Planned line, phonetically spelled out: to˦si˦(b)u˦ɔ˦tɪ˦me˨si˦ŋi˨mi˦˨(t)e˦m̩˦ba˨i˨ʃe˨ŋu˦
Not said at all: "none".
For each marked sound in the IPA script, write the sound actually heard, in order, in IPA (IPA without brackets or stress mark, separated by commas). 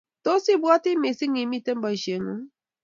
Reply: b, t